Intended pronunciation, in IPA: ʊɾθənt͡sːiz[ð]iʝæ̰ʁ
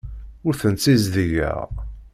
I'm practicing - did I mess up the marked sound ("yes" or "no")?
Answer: no